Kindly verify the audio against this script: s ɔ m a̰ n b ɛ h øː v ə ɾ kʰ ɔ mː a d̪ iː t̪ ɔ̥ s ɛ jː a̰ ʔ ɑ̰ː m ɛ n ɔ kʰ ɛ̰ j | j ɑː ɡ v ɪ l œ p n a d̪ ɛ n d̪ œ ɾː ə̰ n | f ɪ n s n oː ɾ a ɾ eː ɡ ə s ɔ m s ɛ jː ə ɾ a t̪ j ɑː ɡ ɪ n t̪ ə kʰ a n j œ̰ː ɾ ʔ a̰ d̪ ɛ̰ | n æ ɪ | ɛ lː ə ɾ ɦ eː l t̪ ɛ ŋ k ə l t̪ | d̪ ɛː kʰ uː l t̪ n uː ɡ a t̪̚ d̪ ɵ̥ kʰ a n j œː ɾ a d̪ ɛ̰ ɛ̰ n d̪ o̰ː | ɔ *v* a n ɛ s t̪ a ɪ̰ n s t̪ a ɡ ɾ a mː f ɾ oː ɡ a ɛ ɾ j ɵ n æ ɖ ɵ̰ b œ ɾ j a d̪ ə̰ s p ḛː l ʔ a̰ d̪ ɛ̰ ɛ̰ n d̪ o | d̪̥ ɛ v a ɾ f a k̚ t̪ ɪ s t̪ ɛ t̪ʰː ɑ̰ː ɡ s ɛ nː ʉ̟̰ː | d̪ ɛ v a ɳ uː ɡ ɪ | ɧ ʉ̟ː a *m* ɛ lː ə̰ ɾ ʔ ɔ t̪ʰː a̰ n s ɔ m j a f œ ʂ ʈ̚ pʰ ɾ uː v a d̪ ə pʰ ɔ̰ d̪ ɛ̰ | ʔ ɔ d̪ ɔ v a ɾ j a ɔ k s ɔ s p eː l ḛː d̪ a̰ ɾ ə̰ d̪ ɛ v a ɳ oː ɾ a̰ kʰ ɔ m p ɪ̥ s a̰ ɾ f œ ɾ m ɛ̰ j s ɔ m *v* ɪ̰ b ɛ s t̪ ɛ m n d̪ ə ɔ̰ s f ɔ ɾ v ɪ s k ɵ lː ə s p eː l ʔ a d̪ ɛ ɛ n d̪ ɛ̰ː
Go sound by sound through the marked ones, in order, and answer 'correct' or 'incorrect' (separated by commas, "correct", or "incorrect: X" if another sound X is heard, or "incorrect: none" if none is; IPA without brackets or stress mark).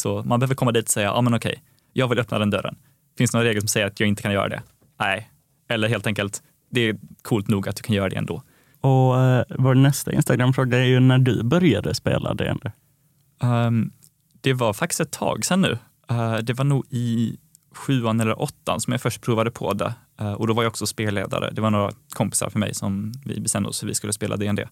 correct, incorrect: n, correct